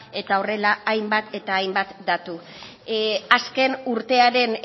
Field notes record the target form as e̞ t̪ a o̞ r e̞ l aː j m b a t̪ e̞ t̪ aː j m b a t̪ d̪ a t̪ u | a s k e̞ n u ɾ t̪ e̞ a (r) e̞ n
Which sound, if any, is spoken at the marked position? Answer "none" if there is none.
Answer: ɾ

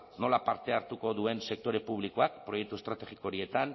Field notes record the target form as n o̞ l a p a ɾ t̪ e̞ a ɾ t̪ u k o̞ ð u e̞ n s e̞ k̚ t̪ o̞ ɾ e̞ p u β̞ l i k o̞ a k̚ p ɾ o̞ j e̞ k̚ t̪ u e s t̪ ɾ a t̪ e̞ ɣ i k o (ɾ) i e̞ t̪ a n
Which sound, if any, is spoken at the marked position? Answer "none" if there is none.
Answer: ɾ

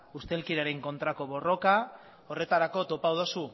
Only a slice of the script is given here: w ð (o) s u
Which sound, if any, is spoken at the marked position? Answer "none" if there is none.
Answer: o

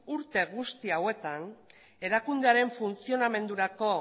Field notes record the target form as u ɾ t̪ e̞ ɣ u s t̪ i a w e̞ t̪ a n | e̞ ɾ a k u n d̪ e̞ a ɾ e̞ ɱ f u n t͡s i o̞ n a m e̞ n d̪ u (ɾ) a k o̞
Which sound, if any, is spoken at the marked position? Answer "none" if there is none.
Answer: ɾ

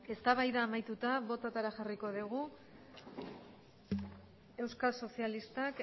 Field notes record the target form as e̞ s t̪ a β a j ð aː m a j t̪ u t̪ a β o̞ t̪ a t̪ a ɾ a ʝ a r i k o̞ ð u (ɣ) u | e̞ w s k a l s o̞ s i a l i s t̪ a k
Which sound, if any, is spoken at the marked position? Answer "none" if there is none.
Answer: ɣ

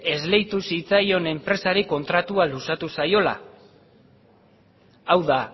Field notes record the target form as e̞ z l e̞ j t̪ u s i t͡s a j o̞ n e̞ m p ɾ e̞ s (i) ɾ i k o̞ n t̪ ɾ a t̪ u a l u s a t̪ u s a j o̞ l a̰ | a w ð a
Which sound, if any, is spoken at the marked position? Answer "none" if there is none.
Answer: a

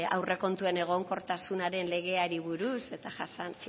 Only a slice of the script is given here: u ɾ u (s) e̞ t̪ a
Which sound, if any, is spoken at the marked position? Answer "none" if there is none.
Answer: s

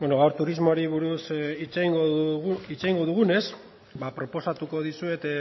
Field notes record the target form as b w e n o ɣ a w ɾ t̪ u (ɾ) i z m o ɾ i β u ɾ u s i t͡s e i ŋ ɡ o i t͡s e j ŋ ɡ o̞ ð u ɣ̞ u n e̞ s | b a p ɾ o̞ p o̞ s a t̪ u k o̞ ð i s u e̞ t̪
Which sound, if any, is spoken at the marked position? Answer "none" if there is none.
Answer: ɾ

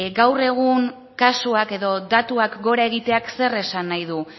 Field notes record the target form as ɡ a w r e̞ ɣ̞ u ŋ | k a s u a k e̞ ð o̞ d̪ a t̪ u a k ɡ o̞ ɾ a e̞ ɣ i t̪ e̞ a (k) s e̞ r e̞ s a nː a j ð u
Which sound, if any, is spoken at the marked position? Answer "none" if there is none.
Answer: k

